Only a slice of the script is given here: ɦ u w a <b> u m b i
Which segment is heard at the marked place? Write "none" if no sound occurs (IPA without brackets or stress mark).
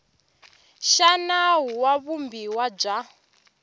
β